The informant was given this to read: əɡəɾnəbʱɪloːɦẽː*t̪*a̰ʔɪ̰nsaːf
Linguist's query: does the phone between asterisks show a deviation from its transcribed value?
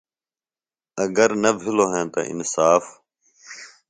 no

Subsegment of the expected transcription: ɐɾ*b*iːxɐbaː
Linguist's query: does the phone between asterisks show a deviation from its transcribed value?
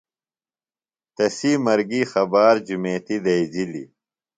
yes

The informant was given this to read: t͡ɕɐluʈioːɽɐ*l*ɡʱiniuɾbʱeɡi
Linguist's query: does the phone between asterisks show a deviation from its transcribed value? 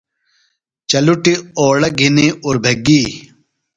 yes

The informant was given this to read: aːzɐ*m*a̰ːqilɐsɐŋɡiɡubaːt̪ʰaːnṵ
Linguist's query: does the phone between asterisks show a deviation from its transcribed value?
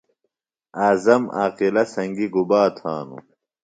no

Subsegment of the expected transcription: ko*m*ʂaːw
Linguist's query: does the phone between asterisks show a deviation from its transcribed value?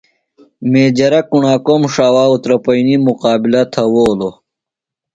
no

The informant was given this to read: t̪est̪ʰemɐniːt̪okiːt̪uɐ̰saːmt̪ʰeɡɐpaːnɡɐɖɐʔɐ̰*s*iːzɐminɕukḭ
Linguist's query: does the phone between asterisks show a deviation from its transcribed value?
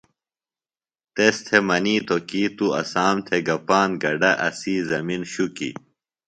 no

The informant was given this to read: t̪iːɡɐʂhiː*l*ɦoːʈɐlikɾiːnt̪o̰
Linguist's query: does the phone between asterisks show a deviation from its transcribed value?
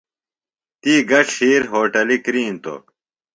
yes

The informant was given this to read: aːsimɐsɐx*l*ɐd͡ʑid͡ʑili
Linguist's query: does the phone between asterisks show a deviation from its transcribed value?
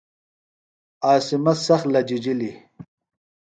no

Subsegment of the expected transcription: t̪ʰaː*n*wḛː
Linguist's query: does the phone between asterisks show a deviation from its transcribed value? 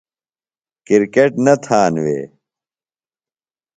no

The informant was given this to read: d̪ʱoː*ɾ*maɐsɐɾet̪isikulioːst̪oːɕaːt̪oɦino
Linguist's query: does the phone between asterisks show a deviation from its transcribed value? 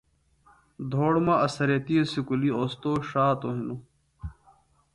yes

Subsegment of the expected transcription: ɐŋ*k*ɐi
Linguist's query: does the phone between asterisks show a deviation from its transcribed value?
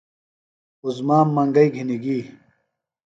yes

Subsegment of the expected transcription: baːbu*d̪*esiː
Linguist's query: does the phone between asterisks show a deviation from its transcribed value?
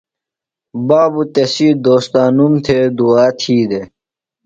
yes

